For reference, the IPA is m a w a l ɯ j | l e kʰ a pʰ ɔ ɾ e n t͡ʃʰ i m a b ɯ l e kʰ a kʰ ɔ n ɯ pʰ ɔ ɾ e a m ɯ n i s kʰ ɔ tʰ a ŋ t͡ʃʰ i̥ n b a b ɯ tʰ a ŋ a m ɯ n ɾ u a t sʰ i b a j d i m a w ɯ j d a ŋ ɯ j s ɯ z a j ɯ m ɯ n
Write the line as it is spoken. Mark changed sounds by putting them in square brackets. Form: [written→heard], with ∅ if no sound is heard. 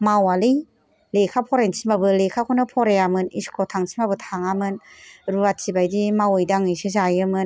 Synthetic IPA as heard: m a w a l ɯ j | l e kʰ a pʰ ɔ ɾ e n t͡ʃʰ i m a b ɯ l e kʰ a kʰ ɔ n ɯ pʰ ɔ ɾ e a m ɯ n i s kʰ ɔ tʰ a ŋ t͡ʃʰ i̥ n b a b ɯ tʰ a ŋ a m ɯ n ɾ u a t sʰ i b a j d i m a w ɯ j d a ŋ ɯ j s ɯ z a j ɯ m ɯ n